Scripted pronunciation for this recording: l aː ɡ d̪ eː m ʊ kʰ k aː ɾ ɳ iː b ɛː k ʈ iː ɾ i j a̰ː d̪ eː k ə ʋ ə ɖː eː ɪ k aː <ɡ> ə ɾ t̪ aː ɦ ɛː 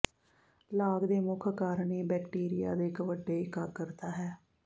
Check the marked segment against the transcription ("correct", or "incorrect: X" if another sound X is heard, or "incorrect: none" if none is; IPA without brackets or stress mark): incorrect: k